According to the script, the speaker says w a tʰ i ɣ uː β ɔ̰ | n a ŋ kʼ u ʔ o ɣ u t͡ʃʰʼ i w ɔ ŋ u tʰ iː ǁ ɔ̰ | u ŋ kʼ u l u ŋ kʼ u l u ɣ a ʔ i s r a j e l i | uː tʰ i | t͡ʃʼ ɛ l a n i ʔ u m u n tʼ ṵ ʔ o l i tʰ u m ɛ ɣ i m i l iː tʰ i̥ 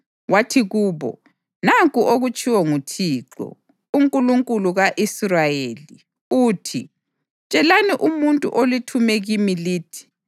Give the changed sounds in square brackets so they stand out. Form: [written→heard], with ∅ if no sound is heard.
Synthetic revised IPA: w a tʰ i ɣ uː β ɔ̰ | n a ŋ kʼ u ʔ o ɣ u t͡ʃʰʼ i w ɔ ŋ u tʰ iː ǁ ɔ̰ | u ŋ kʼ u l u ŋ kʼ u l u ɣ a ʔ i s r a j e l i | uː tʰ i | t͡ʃʼ ɛ l a n i ʔ u m u n tʼ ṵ ʔ o l i tʰ u m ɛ ɣ i m i l iː tʰ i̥